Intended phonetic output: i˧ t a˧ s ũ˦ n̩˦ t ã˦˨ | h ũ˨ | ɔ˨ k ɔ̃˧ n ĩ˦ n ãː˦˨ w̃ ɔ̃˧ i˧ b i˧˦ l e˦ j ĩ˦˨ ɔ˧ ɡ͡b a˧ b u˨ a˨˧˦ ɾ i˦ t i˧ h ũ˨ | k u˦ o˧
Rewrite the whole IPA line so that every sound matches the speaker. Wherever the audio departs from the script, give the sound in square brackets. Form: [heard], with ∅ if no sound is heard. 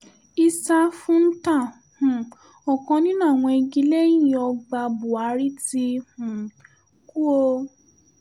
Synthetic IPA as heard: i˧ [s] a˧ [f] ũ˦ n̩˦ t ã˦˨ | h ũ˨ | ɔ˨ k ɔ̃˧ n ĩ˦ n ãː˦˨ w̃ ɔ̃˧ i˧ [ɡ] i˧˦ l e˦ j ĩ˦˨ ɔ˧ ɡ͡b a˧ b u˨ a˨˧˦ ɾ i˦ t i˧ h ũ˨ | k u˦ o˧